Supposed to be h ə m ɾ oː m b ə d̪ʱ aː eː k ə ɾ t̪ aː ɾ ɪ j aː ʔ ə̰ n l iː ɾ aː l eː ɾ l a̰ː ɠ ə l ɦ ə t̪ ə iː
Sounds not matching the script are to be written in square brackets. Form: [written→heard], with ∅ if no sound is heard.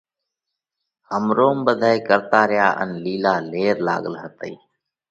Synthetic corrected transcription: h ə m ɾ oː m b ə d̪ʱ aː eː k ə ɾ t̪ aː ɾ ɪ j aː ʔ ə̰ n l iː [ɾ→l] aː l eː ɾ l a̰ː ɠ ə l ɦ ə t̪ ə iː